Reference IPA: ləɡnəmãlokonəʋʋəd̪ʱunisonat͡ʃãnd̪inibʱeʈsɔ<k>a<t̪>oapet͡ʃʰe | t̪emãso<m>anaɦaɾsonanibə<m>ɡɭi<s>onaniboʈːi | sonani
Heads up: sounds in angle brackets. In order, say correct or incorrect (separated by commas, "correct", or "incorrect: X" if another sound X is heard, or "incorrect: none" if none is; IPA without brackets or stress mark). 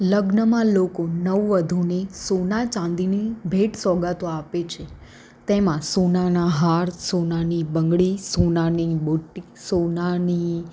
incorrect: ɡ, correct, incorrect: n, incorrect: ŋ, correct